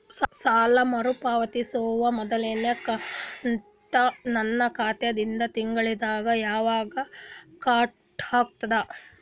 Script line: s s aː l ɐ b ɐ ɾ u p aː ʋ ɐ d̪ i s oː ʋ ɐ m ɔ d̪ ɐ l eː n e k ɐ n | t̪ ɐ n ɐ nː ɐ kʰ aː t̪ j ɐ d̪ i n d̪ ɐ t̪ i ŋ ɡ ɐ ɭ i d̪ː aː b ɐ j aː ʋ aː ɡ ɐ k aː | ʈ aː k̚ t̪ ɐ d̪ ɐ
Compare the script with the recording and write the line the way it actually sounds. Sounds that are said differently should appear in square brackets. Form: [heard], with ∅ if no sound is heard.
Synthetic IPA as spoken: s s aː l ɐ [m] ɐ ɾ u p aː ʋ ɐ [t̪] i s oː ʋ ɐ m ɔ d̪ ɐ l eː n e k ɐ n | t̪ ɐ n ɐ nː ɐ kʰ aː t̪ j ɐ d̪ i n d̪ ɐ t̪ i ŋ ɡ ɐ ɭ i [d̪] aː [ɡ] ɐ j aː ʋ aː ɡ ɐ k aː | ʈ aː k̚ t̪ ɐ d̪ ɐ